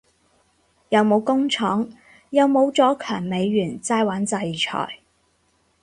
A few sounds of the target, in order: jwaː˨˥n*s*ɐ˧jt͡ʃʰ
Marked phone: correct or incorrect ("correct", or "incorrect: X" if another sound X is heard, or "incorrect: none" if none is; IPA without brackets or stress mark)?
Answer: incorrect: t͡s